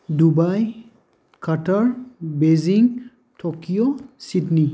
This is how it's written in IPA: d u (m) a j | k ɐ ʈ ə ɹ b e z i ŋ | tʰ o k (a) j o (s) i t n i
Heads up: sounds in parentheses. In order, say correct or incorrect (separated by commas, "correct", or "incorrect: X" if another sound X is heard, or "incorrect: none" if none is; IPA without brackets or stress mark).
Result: incorrect: b, incorrect: i, correct